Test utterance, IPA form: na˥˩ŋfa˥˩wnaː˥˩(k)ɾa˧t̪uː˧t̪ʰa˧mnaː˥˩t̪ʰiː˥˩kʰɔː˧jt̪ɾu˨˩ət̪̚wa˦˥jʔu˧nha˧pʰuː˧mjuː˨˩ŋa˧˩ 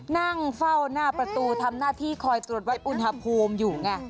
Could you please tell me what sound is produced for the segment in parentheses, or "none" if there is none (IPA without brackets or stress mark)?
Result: p